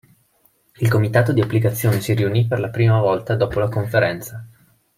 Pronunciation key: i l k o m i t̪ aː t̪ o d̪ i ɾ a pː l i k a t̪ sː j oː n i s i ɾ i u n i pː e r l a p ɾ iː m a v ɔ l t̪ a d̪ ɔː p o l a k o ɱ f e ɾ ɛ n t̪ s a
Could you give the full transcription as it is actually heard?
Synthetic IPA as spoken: i l k o m i t̪ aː t̪ o d̪ i a pː l i k a t̪ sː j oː n e s i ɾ i u n i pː e r l a p ɾ iː m a v ɔ l t̪ a d̪ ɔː p o l a k o ɱ f e ɾ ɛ n t̪ s a

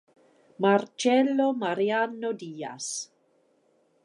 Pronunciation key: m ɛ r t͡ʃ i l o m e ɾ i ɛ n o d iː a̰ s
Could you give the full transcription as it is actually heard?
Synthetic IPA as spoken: m a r t͡ʃ ɛ l o m a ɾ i a n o d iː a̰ s

